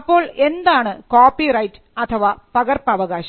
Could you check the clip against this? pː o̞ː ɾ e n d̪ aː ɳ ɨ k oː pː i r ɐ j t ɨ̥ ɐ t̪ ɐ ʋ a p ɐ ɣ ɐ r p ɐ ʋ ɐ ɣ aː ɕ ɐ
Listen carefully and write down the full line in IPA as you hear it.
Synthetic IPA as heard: pː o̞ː ɭ e n d̪ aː ɳ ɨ k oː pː i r ɐ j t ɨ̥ ɐ t̪ʰ ɐ ʋ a p ɐ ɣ ɐ r p ɐ ʋ ɐ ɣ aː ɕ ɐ

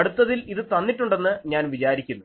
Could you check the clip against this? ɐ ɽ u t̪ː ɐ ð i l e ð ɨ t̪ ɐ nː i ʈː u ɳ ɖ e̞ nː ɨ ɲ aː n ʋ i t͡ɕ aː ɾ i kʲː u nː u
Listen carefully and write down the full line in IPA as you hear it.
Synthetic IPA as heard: ɐ ɽ u t̪ː ɐ ð i l i ð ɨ t̪ ɐ nː i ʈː u ɳ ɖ e̞ nː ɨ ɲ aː n ʋ i t͡ɕ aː ɾ i kʲː u nː u

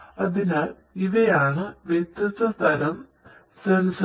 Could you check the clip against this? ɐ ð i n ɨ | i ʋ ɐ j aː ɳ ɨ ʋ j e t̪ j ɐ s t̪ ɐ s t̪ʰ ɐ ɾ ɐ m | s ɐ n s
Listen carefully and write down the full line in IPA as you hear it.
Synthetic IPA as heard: ɐ ð i n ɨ | i ʋ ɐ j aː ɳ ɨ ʋ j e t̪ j ɐ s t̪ ɐ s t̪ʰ ɐ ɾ ɐ m | s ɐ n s

